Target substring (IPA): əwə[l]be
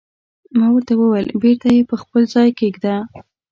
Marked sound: correct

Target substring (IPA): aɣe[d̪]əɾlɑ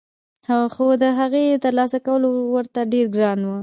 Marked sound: incorrect: t̪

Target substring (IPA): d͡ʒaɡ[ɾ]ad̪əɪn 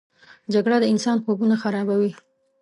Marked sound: incorrect: ɽ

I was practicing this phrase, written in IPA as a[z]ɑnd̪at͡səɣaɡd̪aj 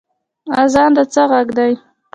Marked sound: correct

